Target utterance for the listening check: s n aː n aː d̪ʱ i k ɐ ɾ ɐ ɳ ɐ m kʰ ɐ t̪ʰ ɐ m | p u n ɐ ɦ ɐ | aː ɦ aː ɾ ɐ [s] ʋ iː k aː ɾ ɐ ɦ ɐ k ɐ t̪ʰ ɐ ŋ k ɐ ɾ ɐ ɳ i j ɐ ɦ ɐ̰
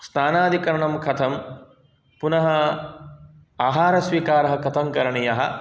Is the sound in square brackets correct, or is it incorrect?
correct